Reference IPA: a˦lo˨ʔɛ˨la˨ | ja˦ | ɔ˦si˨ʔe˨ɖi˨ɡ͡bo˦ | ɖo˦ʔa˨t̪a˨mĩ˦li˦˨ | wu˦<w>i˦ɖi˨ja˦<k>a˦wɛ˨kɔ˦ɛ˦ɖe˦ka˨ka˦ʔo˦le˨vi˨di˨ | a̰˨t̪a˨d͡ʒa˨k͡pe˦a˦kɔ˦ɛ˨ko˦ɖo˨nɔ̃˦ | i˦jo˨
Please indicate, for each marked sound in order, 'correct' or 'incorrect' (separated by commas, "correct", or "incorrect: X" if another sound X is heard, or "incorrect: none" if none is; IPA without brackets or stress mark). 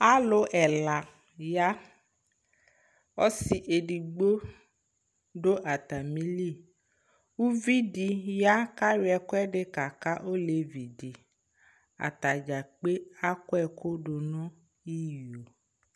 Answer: incorrect: v, correct